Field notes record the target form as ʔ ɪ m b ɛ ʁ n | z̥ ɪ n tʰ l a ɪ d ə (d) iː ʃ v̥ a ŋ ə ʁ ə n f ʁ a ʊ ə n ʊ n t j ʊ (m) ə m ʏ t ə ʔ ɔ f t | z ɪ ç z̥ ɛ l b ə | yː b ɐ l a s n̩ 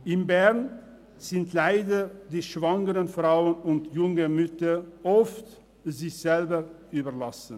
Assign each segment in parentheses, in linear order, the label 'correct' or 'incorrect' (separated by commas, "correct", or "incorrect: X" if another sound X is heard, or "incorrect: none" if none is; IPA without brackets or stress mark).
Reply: correct, incorrect: ŋ